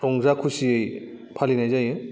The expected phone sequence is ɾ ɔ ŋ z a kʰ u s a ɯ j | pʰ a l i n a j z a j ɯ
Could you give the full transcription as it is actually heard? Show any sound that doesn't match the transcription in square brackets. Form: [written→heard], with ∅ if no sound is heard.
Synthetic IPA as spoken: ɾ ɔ ŋ z a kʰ u s [a→i] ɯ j | pʰ a l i n a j z a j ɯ